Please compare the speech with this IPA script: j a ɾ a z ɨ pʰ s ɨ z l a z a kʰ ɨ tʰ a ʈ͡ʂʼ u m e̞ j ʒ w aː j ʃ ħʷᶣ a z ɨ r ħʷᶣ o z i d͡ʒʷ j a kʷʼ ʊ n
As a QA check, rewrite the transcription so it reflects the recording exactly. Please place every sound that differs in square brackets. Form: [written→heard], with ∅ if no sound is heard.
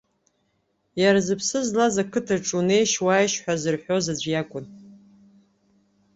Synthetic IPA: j a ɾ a z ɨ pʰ s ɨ z l a z a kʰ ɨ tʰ a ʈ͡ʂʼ u [m→n] e̞ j [ʒ→ʃ] w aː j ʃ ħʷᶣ a z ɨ r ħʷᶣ o z [i→a] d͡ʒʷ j a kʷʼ ʊ n